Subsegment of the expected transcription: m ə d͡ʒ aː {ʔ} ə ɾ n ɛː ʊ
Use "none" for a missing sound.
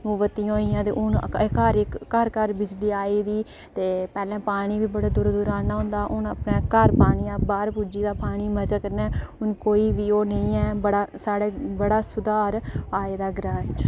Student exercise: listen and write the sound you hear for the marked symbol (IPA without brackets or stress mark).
k